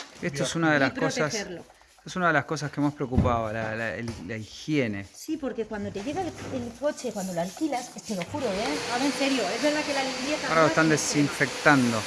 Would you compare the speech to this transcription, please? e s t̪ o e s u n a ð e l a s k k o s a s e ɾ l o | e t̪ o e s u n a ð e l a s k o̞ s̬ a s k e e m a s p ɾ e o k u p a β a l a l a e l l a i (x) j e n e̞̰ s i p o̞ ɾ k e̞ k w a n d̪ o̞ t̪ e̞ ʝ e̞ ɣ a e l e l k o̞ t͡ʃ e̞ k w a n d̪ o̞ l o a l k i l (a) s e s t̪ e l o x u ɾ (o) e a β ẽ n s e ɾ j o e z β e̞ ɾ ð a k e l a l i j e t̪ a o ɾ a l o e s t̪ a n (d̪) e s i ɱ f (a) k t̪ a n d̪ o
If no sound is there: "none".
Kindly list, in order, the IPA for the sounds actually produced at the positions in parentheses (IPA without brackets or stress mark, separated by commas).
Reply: x, a, o, d̪, e